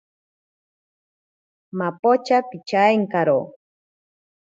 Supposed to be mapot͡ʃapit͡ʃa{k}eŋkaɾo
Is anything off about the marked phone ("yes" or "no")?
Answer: yes